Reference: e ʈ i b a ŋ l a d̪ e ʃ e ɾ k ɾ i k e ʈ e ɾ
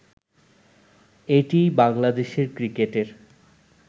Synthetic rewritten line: e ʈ i b a ŋ l a d̪ e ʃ e ɾ k ɾ i k e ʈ e ɾ